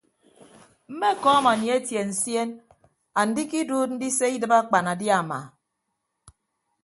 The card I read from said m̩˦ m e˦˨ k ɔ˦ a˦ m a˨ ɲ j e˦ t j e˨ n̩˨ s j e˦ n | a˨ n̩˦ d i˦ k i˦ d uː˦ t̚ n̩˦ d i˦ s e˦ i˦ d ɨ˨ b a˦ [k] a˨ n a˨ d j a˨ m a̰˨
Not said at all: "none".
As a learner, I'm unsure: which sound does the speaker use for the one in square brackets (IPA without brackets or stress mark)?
k͡p